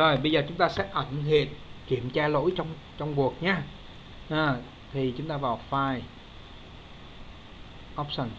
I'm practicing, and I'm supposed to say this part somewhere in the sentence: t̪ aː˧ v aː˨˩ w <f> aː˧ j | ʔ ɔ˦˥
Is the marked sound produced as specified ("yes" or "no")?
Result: yes